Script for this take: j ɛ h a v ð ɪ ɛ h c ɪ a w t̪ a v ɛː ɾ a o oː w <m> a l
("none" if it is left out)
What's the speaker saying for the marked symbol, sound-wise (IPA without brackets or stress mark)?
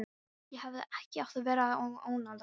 n